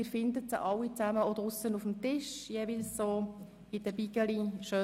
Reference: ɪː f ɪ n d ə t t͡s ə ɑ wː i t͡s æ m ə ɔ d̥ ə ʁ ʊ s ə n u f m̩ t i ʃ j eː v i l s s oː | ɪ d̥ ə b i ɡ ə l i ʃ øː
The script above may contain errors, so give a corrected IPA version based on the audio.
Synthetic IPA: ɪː f ɪ n d ə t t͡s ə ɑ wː i t͡s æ m ə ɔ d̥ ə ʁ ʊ s ə n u f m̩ t ɪ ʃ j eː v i l s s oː | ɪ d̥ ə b i ɡ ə l i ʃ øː